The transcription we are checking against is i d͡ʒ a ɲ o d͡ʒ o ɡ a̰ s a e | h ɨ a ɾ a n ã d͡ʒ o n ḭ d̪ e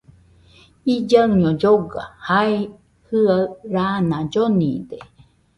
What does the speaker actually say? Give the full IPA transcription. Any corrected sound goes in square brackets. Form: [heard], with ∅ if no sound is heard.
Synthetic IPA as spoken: i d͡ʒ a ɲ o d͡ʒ o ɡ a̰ [h] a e | h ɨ a ɾ a n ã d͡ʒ o n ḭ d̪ e